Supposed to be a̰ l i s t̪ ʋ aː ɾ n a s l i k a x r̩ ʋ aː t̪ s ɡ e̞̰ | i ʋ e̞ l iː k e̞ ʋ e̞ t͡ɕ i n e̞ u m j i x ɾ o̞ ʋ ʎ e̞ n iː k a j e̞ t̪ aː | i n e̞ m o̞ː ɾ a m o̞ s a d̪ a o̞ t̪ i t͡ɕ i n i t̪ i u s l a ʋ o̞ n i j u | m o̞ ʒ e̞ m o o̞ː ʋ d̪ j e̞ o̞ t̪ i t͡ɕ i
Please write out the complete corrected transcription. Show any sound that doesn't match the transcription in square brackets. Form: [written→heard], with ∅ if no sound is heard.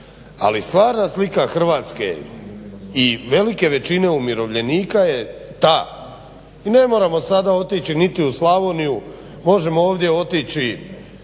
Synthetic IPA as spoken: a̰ l i s t̪ ʋ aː ɾ n a s l i k a x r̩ ʋ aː t̪ s [ɡ→k] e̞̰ | i ʋ e̞ l [iː→i] k e̞ ʋ e̞ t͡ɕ i n e̞ u m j i [x→∅] ɾ o̞ ʋ ʎ e̞ n iː k a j e̞ t̪ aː | i n e̞ m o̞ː ɾ a m o̞ s a d̪ a o̞ t̪ i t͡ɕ i n i t̪ i u s l a ʋ o̞ n i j u | m o̞ ʒ e̞ m o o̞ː ʋ d̪ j e̞ o̞ t̪ i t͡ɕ i